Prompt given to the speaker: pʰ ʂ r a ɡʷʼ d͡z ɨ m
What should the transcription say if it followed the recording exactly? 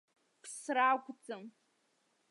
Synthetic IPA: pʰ s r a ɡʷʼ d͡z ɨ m